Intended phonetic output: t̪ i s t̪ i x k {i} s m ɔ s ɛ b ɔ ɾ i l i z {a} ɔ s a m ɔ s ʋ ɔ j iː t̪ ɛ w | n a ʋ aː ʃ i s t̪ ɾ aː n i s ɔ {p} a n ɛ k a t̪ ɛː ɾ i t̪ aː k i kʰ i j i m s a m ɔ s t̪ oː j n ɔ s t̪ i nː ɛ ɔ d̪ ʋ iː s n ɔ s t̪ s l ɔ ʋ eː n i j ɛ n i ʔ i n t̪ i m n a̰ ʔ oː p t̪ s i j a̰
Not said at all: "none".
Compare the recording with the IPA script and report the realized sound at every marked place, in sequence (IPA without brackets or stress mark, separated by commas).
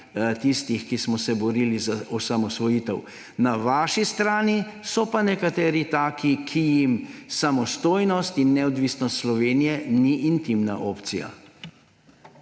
i, a, p